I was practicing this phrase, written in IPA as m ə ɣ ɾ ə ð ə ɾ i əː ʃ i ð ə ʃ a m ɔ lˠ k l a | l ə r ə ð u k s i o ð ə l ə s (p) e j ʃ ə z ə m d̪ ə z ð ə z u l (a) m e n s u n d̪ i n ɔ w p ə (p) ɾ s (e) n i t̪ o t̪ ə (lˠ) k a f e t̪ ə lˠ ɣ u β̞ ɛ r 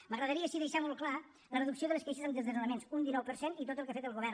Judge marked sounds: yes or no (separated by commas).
no, no, no, yes, yes